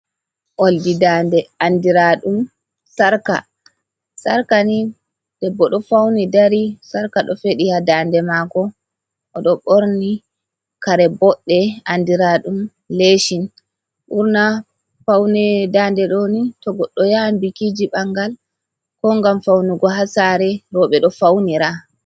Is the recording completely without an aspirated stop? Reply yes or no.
yes